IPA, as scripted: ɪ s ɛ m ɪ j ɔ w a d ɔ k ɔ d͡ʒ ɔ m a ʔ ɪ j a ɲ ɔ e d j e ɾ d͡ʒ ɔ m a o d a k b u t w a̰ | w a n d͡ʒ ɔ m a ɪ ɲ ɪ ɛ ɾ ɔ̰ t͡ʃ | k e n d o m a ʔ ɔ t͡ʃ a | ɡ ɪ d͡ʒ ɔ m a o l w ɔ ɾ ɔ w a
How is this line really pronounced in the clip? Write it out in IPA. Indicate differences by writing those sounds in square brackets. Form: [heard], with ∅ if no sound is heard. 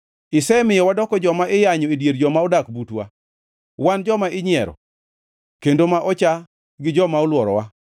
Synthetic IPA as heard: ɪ s ɛ m ɪ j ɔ w a d ɔ k ɔ d͡ʒ ɔ m a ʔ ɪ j a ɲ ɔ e d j e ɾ d͡ʒ ɔ m a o d a k b u t w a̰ | w a n d͡ʒ ɔ m a ɪ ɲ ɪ ɛ ɾ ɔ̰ [∅] | k e n d o m a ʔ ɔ t͡ʃ a | ɡ ɪ d͡ʒ ɔ m a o l w ɔ ɾ ɔ w a